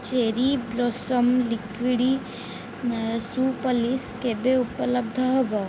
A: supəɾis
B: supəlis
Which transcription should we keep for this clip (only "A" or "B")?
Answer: B